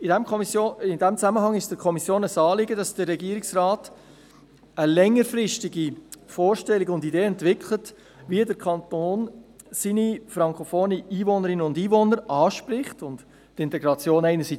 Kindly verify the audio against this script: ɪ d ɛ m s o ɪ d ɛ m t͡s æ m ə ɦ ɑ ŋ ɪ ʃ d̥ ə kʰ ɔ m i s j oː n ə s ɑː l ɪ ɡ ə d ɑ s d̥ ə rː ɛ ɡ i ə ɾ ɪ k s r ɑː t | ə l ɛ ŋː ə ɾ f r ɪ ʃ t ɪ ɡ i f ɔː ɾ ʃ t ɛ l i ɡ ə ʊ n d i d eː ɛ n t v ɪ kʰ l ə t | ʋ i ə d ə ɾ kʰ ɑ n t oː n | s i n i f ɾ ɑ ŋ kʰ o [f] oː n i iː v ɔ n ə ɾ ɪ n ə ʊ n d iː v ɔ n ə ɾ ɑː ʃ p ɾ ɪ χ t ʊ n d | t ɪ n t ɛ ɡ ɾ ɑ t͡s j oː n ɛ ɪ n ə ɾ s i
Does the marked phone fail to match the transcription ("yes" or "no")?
no